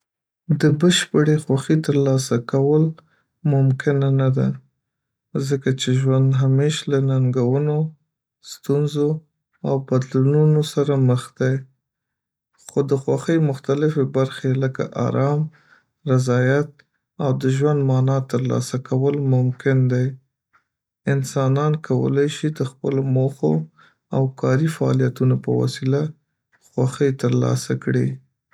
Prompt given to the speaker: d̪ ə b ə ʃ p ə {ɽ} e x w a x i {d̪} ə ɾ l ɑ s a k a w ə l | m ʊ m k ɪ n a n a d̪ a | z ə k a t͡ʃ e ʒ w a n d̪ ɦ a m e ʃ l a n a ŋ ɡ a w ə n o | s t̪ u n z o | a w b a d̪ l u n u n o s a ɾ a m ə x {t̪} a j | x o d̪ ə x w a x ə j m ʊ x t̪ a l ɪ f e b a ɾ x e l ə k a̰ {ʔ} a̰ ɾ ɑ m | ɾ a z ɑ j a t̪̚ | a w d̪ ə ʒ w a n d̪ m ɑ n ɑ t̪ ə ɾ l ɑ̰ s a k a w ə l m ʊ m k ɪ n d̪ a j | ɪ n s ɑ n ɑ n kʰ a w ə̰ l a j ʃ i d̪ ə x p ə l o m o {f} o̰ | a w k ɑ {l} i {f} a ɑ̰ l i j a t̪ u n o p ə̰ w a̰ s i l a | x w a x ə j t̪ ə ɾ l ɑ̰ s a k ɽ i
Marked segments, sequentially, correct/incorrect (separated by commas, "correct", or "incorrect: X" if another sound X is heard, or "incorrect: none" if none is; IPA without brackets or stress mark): correct, incorrect: t̪, incorrect: d̪, correct, incorrect: x, incorrect: ɾ, correct